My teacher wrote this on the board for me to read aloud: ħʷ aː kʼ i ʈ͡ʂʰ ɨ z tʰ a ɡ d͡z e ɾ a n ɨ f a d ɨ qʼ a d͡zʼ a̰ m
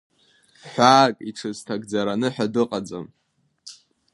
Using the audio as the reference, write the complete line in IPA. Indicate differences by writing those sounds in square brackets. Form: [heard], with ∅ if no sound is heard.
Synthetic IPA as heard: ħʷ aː kʼ i ʈ͡ʂʰ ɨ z tʰ a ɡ d͡z [a] ɾ a n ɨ [ħ] a d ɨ qʼ a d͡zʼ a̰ m

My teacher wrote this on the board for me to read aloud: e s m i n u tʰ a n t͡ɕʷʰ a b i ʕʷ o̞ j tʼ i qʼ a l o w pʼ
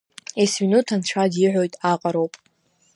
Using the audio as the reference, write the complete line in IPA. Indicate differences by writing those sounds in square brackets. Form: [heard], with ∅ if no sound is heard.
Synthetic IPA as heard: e s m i n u tʰ a n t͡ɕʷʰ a [d] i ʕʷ o̞ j tʼ [a] qʼ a [ɾ] o w pʼ

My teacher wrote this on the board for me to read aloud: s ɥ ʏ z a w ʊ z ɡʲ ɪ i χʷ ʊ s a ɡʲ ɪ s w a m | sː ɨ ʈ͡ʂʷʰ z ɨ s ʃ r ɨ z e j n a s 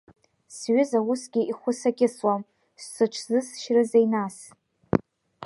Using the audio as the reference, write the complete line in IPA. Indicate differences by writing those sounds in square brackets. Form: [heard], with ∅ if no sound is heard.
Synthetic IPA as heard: s ɥ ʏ z a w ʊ [s] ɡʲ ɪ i χʷ ʊ s a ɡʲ ɪ s w a m | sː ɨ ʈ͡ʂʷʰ z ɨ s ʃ r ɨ z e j n a s

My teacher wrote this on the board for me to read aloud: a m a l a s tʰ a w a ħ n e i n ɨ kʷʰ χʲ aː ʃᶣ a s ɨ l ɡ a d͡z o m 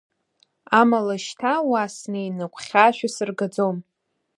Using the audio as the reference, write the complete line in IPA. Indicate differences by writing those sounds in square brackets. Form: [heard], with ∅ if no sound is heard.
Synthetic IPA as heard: a m a l a [ʃ] tʰ a w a [s] n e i n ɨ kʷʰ χʲ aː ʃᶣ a s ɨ [r] ɡ a d͡z o m

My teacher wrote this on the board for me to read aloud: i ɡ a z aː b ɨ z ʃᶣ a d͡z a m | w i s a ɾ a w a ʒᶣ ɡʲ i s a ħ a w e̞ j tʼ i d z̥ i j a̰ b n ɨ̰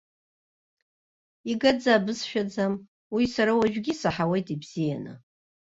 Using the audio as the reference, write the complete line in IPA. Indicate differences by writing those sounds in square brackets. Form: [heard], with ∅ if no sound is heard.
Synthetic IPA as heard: i ɡ a [d͡z] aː b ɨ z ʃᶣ a d͡z a m | w i s a ɾ a w a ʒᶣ ɡʲ i s a ħ a w e̞ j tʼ i [b] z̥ i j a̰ [∅] n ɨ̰

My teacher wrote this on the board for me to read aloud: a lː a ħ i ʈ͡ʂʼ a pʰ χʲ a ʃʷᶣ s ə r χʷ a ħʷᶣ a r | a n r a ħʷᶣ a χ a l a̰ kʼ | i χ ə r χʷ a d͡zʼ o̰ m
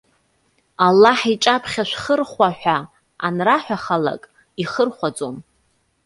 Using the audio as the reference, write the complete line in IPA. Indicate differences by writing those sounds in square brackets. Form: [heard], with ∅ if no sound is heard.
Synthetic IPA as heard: a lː a ħ i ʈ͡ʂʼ a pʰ χʲ a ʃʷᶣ [χ] ə r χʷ a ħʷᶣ a [∅] | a n r a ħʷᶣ a χ a l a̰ kʼ | i χ ə r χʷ a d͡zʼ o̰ m

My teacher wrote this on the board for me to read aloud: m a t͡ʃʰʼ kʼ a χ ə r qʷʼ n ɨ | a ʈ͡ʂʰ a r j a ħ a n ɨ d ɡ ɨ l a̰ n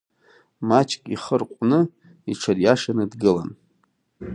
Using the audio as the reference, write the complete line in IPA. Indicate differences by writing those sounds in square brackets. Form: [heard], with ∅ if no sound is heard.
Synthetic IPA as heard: m a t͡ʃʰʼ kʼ [i] χ ə r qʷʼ n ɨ | [i] ʈ͡ʂʰ a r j a [ʂ] a n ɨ d ɡ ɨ l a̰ n

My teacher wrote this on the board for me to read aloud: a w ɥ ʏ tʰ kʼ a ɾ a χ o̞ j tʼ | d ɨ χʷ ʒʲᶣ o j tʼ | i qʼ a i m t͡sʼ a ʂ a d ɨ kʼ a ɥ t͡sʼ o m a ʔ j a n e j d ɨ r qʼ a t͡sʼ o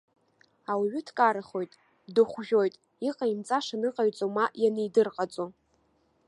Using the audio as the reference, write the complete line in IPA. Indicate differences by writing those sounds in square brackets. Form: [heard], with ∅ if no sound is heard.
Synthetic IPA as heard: a w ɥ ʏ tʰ kʼ a ɾ a χ o̞ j tʼ | d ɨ χʷ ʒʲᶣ o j tʼ | i qʼ a i m t͡sʼ a ʂ a [n] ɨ [qʼ] a ɥ t͡sʼ o m a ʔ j a n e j d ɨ r qʼ a t͡sʼ o

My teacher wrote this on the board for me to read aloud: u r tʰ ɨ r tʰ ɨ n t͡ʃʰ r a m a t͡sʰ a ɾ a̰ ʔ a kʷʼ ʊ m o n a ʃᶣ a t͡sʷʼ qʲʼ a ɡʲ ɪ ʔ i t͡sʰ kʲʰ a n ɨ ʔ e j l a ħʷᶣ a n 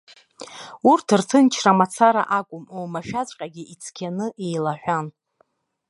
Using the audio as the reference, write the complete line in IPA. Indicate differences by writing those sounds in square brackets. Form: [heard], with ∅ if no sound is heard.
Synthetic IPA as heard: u r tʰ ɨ r tʰ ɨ n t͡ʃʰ r a m a t͡sʰ a ɾ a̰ ʔ a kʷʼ ʊ m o [m] a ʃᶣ a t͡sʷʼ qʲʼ a ɡʲ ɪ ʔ i t͡sʰ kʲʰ a n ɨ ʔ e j l a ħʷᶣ a n

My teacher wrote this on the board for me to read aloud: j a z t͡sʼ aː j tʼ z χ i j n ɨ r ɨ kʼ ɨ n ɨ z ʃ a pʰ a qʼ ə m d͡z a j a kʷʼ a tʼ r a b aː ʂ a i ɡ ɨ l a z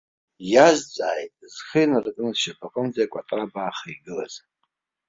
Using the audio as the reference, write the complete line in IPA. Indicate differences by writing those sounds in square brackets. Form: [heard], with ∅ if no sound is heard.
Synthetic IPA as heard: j a z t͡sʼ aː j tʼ z χ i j n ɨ r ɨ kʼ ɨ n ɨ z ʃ a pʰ a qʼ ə m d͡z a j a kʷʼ a tʼ r a b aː [χ] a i ɡ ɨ l a z

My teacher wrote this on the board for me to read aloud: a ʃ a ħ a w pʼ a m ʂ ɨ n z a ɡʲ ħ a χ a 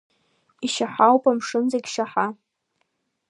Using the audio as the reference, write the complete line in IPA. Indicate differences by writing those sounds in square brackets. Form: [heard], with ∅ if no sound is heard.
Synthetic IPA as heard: [i] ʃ a ħ a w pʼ a m ʂ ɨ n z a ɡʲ [ʃ] a [ħ] a

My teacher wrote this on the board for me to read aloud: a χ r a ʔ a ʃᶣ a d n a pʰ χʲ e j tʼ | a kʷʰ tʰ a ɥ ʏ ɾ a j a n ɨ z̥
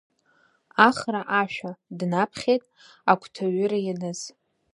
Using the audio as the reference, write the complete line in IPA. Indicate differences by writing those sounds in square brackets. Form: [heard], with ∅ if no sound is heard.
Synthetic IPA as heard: a χ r a ʔ a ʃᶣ a d n a pʰ χʲ e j tʼ | a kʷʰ tʰ a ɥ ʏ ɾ a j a n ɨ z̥

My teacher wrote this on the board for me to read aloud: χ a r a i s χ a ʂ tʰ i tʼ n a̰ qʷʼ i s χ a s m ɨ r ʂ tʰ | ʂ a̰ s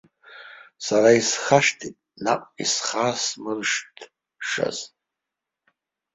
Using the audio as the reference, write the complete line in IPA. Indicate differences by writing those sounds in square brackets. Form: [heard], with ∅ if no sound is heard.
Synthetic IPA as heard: [s] a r a i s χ a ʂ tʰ i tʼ n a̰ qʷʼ i s χ a s m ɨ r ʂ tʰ | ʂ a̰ [z]

